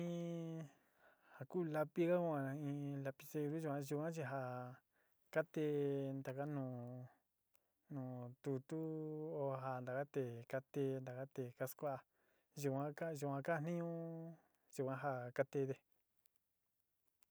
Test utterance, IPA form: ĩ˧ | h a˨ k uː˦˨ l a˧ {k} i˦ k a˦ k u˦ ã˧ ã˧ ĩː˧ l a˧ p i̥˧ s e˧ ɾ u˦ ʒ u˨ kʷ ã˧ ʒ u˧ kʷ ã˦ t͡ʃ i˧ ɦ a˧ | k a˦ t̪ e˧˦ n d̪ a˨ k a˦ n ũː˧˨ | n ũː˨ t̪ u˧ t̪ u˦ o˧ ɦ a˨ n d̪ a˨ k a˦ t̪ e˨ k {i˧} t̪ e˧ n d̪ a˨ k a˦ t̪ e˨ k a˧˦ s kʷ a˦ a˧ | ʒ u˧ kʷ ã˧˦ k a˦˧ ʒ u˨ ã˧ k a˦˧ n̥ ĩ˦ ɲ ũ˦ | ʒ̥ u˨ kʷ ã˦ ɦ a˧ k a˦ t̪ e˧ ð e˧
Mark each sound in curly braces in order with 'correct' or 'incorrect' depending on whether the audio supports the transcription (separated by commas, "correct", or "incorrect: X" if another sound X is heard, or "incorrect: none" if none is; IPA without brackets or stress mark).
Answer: incorrect: p, incorrect: a˧